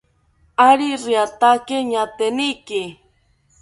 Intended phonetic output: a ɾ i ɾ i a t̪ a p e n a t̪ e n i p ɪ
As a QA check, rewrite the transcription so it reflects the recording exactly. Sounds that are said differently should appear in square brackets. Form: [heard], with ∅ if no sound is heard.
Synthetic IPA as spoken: a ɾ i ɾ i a t̪ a [k] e [ɲ] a t̪ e n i [k] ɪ